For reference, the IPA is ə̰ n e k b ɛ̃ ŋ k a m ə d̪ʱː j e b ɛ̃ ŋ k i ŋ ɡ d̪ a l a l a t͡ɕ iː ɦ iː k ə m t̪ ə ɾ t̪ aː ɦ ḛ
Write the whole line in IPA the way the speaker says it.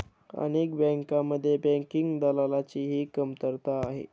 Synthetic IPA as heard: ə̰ n e k b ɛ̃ ŋ k a m ə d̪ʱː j e b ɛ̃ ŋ k i ŋ ɡ d̪ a l a l a t͡ɕ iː ɦ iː k ə m t̪ ə ɾ t̪ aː ɦ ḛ